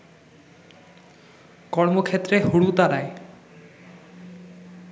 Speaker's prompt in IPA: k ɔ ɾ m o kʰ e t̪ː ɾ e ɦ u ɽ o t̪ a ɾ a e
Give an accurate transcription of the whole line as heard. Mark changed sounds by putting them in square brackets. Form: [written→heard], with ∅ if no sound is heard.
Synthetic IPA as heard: k ɔ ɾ m o kʰ e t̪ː ɾ e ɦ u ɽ [o→u] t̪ a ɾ a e